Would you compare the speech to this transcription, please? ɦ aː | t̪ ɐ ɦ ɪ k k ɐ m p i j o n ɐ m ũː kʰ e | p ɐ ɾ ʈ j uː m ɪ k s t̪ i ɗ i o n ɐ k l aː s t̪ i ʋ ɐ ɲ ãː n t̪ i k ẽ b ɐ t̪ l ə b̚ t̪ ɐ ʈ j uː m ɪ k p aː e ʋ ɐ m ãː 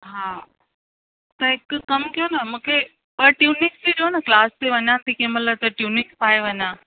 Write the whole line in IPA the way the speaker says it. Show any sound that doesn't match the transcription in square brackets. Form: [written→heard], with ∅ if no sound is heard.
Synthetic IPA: ɦ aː | t̪ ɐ ɦ ɪ k k ɐ m [p→k] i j o n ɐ m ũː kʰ e | p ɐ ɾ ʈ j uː [m→n] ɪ k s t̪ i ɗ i o n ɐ k l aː s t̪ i ʋ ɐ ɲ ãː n t̪ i k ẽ [b→m] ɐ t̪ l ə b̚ t̪ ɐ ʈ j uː [m→n] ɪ k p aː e ʋ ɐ [m→ɲ] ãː